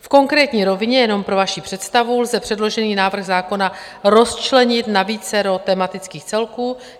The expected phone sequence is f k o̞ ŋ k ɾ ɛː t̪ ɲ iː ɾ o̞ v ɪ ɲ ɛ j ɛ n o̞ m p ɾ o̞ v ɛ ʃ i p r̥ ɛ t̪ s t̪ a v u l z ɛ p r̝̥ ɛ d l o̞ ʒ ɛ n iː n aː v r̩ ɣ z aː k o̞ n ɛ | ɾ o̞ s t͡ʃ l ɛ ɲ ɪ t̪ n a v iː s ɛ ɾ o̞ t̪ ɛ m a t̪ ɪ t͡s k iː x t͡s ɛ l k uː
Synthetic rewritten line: f k o̞ ŋ k ɾ ɛː t̪ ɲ iː ɾ o̞ v ɪ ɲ ɛ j ɛ n o̞ m p ɾ o̞ v a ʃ i p r̥ ɛ t̪ s t̪ a v u l z ɛ p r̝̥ ɛ d l o̞ ʒ ɛ n iː n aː v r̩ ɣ z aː k o̞ n a | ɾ o̞ s t͡ʃ l ɛ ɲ ɪ t̪ n a v iː t͡s ɛ ɾ o̞ t̪ ɛ m a t̪ ɪ t͡s k iː x t͡s ɛ l k uː

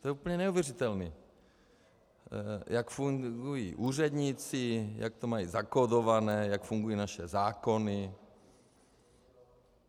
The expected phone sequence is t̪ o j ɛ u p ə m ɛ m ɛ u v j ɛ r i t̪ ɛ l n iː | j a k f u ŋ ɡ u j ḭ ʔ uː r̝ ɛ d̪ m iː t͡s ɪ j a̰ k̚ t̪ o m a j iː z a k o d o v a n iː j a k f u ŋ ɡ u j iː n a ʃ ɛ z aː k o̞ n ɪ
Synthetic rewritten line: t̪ o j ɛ u p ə ɲ ɛ n ɛ u v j ɛ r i t̪ ɛ l n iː | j a k f u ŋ ɡ u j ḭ ʔ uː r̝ ɛ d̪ ɲ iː t͡s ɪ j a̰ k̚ t̪ o m a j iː z a k o d o v a n ɛː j a k f u ŋ ɡ u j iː n a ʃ ɛ z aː k o̞ n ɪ

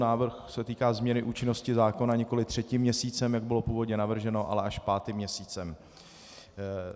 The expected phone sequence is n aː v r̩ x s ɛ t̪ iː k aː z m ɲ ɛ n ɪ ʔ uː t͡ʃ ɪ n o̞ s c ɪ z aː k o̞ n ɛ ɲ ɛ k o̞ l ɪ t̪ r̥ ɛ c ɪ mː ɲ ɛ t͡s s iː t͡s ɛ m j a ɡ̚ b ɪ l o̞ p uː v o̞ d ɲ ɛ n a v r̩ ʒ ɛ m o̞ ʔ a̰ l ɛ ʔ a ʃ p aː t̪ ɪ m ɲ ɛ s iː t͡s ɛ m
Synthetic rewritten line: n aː v r̩ x s ɛ t̪ iː k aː z m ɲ ɛ n ɪ ʔ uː t͡ʃ ɪ n o̞ s c ɪ z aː k o̞ n a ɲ ɛ k o̞ l ɪ t̪ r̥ ɛ c ɪ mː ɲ ɛ s iː t͡s ɛ m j a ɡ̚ b ɪ l o̞ p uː v o̞ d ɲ ɛ n a v r̩ ʒ ɛ n o̞ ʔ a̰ l ɛ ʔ a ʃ p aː t̪ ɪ m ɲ ɛ s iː t͡s ɛ m

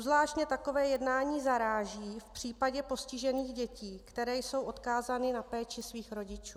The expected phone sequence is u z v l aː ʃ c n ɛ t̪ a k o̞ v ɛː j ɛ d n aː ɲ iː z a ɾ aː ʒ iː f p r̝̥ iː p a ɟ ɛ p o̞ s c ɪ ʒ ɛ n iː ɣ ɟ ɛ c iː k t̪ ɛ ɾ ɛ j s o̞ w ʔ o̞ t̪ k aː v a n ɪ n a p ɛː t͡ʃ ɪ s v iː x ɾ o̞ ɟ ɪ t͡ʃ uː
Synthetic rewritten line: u z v l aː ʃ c ɲ ɛ t̪ a k o̞ v ɛː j ɛ d n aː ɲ iː z a ɾ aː ʒ iː f p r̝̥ iː p a ɟ ɛ p o̞ s c ɪ ʒ ɛ n iː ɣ ɟ ɛ c iː k t̪ ɛ ɾ ɛː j s o̞ w ʔ o̞ t̪ k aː z a n ɪ n a p ɛː t͡ʃ ɪ s v iː x ɾ o̞ ɟ ɪ t͡ʃ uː

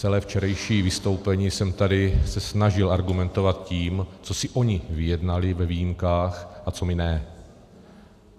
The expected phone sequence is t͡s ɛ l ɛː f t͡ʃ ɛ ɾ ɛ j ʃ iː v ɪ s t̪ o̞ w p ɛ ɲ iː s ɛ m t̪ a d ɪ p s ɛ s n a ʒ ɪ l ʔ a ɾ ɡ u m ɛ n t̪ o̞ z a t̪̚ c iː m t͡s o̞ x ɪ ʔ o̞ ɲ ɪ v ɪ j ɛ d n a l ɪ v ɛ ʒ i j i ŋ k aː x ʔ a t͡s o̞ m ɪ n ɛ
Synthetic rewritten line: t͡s ɛ l ɛː f t͡ʃ ɛ ɾ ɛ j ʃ iː v ɪ s t̪ o̞ w p ɛ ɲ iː s ɛ m t̪ a d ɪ s ɛ s n a ʒ ɪ l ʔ a ɾ ɡ u m ɛ n t̪ o̞ v a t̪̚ c iː m t͡s o̞ s ɪ ʔ o̞ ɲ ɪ v ɪ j ɛ d n a l ɪ v ɛ v i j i m k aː x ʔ a t͡s o̞ m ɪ n ɛ

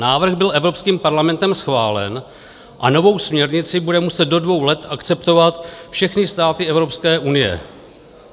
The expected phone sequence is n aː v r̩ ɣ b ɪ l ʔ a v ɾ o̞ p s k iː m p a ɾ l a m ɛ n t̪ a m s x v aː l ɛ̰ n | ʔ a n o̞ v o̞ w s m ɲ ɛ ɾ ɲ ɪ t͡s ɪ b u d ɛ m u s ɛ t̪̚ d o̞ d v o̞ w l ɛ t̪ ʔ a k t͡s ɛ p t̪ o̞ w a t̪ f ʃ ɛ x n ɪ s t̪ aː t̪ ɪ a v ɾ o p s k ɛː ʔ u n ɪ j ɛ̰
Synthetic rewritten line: n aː v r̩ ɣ b ɪ l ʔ ɛ v ɾ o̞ p s k iː m p a ɾ l a m ɛ n t̪ ɛ m s x v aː l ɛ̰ n | ʔ a n o̞ v o̞ w s m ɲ ɛ ɾ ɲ ɪ t͡s ɪ b u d ɛ m u s ɛ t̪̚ d o̞ d v o̞ w l ɛ t̪ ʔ a k t͡s ɛ p t̪ o̞ v a t̪ f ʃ ɛ x n ɪ s t̪ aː t̪ ɪ ɛ v ɾ o p s k ɛː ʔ u n ɪ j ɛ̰

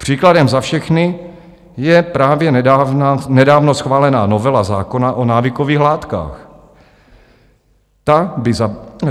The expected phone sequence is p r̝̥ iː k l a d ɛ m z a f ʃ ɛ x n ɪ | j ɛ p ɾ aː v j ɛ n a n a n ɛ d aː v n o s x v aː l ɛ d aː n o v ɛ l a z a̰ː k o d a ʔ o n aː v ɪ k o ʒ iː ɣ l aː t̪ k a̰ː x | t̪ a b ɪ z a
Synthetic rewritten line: p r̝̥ iː k l a d ɛ m z a f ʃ ɛ x n ɪ | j ɛ p ɾ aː v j ɛ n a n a n ɛ d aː v n o s x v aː l ɛ n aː n o v ɛ l a z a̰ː k o n a ʔ o n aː v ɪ k o v iː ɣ l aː t̪ k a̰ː x | t̪ a b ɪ z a

